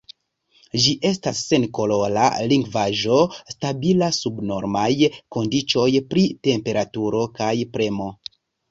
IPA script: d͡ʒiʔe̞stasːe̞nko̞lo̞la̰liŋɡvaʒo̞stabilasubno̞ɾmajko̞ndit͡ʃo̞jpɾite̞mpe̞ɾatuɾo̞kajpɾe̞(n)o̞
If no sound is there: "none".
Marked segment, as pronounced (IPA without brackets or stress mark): m